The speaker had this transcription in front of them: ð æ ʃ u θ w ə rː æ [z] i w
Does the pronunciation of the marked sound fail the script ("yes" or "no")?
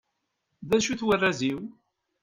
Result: no